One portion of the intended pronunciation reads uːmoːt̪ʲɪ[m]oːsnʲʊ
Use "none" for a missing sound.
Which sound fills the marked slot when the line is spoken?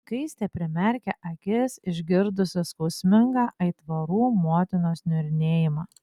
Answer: n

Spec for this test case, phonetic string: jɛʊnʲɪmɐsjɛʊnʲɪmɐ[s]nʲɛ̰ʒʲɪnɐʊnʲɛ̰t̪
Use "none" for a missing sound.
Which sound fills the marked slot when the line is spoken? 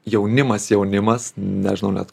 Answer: s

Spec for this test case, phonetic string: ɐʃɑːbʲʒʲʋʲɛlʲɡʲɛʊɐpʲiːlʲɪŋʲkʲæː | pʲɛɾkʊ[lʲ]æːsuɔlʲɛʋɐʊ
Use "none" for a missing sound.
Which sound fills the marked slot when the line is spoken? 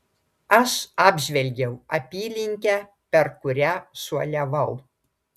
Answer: ɾʲ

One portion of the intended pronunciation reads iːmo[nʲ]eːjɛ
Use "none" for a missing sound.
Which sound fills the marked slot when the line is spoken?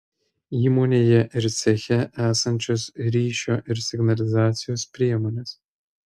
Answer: nʲ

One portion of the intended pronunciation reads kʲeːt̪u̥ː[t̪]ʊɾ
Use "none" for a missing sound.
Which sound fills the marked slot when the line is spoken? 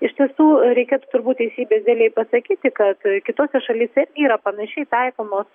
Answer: t̪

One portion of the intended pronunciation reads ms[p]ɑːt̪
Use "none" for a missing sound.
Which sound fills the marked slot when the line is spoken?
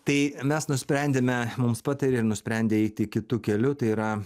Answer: p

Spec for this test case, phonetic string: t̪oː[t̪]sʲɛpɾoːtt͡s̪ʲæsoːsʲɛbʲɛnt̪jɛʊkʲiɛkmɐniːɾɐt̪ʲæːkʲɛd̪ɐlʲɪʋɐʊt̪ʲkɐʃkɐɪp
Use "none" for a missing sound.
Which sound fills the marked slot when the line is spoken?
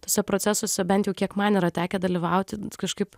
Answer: none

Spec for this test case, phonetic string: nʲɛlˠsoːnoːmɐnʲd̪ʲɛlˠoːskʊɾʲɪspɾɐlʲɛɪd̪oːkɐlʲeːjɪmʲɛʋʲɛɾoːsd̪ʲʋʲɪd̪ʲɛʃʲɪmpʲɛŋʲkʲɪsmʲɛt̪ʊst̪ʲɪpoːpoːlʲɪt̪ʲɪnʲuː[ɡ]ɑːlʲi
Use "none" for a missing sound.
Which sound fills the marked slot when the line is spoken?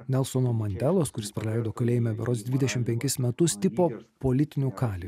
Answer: k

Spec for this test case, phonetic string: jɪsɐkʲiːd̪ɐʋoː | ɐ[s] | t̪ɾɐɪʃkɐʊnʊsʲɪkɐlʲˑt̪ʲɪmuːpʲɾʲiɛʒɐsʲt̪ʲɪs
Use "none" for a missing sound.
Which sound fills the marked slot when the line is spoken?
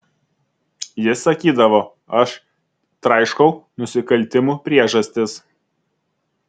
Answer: ʃ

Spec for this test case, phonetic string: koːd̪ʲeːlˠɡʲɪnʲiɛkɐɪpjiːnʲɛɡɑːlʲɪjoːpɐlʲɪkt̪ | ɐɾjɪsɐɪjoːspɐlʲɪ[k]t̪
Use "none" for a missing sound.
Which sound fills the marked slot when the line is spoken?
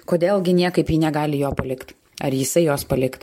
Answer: k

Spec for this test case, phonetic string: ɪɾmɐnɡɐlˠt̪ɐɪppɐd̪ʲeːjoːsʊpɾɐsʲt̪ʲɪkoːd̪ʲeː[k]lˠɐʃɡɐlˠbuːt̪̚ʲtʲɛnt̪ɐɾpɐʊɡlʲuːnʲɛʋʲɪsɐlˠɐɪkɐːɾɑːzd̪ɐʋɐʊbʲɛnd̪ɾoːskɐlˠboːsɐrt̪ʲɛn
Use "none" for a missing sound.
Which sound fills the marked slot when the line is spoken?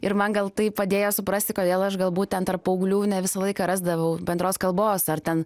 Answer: none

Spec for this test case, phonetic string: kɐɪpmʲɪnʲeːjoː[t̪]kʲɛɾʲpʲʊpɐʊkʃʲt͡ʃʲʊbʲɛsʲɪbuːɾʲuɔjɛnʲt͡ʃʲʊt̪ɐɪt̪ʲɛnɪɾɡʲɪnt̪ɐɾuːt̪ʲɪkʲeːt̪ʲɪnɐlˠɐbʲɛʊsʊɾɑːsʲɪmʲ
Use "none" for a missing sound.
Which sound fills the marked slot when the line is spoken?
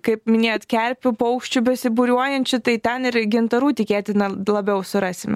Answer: t̪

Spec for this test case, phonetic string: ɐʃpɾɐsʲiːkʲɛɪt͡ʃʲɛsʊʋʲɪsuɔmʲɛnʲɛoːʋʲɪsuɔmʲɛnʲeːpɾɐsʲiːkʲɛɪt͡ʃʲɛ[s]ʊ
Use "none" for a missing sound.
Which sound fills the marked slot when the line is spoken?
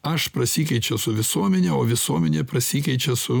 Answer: s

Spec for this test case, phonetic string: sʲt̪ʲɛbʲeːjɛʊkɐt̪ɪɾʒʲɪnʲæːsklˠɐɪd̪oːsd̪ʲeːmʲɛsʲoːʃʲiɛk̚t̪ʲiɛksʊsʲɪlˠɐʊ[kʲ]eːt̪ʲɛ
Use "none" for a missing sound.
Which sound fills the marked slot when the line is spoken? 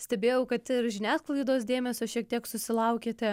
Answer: kʲ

